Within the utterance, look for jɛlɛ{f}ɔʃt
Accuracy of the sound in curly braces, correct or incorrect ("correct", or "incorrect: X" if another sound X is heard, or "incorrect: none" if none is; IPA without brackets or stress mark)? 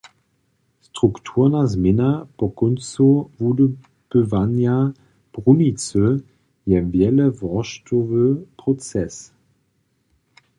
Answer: incorrect: v